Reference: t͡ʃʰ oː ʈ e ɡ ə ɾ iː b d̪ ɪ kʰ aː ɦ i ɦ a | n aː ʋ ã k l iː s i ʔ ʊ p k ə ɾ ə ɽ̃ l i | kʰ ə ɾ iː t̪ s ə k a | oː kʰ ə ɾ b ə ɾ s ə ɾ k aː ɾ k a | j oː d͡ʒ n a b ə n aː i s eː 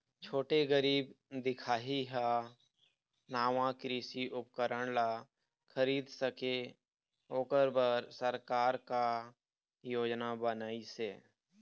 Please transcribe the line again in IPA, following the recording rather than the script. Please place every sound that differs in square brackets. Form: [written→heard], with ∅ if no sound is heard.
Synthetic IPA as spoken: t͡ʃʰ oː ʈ e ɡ ə ɾ iː b d̪ ɪ kʰ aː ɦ i ɦ a | n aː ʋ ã k [l→ɾ] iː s i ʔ ʊ p k ə ɾ ə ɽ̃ l [i→a] | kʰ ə ɾ iː [t̪→d̪] s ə k [a→e] | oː [kʰ→k] ə ɾ b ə ɾ s ə ɾ k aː ɾ k a | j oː d͡ʒ n a b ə n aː i s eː